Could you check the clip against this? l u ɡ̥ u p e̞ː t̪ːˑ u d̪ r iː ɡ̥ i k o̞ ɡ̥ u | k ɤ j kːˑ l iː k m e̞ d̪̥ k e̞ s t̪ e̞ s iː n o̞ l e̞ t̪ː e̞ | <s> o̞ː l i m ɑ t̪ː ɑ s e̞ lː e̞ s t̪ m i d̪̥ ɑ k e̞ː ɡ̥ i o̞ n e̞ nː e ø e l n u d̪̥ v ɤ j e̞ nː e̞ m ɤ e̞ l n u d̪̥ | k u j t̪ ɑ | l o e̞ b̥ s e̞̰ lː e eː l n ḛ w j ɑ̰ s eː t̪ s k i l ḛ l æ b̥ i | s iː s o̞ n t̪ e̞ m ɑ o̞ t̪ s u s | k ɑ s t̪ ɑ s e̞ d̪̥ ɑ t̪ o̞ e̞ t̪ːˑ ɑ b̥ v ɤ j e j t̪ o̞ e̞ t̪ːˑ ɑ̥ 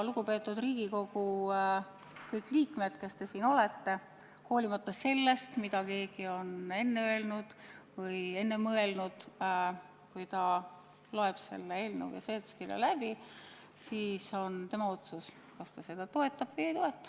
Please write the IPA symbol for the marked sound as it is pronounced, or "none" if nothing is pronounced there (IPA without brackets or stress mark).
h